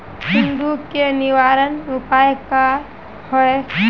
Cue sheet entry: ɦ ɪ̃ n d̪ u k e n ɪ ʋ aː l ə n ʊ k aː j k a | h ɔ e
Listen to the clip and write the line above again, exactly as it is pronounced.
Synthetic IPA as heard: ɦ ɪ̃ n d̪ u k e n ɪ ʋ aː ɾ ə n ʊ p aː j k a | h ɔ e